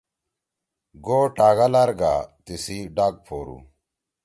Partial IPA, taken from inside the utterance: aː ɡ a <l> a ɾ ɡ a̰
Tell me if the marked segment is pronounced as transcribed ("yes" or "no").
yes